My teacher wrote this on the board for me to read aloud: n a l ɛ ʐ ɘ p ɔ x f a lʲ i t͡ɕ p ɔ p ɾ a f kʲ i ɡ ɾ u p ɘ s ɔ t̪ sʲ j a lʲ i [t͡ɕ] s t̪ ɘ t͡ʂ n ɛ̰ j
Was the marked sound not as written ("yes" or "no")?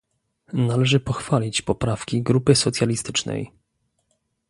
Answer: yes